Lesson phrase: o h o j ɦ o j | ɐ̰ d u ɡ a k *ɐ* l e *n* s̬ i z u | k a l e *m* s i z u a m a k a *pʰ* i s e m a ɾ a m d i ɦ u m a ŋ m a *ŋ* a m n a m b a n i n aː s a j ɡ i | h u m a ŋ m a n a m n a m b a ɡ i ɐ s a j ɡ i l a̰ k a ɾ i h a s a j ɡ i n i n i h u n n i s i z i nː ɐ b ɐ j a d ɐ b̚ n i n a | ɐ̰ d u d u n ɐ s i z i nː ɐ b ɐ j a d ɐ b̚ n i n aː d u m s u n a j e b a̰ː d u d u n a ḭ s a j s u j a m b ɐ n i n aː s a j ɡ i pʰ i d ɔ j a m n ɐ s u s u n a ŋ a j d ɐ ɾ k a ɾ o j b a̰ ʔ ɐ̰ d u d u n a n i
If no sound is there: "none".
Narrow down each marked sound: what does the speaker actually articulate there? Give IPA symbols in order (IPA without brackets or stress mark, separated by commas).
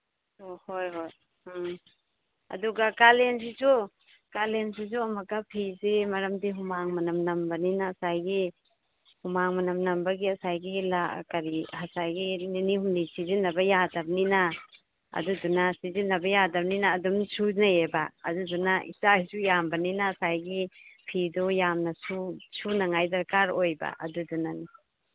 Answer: a, n, n, pʰ, n